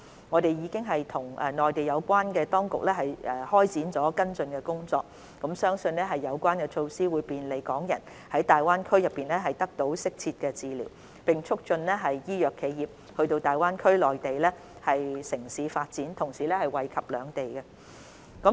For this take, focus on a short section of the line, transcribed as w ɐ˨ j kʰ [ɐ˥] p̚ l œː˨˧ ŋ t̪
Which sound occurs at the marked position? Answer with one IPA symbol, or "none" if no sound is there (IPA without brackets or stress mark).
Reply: ɐ˨